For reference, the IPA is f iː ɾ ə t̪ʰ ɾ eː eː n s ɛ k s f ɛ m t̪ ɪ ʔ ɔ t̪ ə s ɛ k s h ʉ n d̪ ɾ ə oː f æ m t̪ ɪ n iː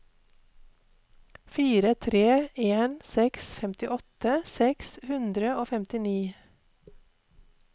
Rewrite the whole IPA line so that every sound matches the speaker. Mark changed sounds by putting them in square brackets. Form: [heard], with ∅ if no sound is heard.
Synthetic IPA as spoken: f iː ɾ ə t̪ʰ ɾ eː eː n s ɛ k s f ɛ m t̪ ɪ ʔ ɔ t̪ ə s ɛ k s h ʉ n d̪ ɾ ə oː f [ɛ] m t̪ ɪ n iː